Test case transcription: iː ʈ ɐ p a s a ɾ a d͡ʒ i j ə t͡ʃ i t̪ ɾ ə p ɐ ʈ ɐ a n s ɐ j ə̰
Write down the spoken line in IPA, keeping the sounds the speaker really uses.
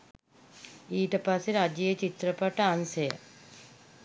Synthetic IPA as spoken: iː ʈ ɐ p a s e ɾ a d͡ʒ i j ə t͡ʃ i t̪ ɾ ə p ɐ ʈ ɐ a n s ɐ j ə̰